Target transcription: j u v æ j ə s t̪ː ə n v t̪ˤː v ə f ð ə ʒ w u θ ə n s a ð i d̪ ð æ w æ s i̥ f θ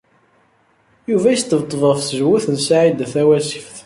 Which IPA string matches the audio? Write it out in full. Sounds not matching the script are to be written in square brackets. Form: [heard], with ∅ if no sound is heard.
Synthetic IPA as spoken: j u v æ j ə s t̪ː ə [∅] v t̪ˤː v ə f [θ] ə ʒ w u θ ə n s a [ʕ] i d̪ [θ] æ w æ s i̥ f θ

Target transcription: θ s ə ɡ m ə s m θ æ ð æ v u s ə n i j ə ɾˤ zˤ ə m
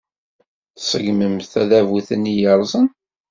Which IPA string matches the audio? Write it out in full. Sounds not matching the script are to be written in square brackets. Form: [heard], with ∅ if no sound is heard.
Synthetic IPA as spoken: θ s ə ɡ m ə [∅] m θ æ ð æ v u [θ] ə n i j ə ɾˤ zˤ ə [n]

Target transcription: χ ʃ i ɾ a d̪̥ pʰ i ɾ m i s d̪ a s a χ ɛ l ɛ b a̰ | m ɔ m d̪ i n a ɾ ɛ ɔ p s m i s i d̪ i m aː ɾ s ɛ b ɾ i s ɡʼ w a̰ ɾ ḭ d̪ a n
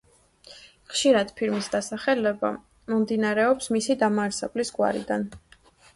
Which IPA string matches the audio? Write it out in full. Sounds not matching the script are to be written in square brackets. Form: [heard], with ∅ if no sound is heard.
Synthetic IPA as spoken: χ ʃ i ɾ a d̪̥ pʰ i ɾ m i s d̪ a s a χ ɛ l ɛ b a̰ | m ɔ m d̪ i n a ɾ ɛ ɔ p s m i s i d̪ [a] m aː ɾ s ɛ b [l] i s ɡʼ w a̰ ɾ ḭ d̪ a n

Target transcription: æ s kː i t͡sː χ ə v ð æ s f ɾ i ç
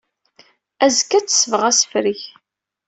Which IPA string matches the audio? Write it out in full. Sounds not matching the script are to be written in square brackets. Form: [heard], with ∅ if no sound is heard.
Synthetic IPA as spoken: æ [z] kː [æ] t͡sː [s] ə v [ʁ] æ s f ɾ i ç

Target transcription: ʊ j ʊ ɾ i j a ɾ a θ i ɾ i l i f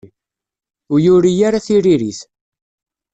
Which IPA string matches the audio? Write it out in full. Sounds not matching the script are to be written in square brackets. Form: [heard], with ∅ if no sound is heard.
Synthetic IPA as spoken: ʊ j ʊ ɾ i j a ɾ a θ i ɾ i [ɾ] i [θ]

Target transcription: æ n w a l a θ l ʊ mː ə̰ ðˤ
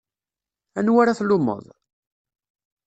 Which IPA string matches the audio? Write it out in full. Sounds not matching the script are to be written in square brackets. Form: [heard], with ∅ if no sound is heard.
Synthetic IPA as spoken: æ n w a [ɾ] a θ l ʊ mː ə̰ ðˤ

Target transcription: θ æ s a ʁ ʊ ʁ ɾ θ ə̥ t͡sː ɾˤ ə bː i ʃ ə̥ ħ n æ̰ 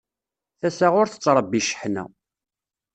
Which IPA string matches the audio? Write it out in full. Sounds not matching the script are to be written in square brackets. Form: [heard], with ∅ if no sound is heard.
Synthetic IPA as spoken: θ æ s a ʁ ʊ [∅] ɾ θ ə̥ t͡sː ɾˤ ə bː i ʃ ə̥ ħ n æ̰

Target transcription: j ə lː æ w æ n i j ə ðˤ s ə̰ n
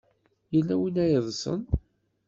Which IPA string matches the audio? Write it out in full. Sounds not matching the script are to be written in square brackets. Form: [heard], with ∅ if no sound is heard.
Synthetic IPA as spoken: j ə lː æ w [i] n [æ] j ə ðˤ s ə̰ n

